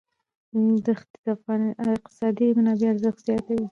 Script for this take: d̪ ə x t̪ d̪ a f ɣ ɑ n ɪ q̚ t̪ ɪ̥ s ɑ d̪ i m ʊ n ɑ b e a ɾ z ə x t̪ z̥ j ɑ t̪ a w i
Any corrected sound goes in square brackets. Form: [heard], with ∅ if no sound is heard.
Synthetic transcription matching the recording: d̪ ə x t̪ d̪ a f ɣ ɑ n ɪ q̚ t̪ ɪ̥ s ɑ d̪ i m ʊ n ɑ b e a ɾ z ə x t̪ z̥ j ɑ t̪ a w i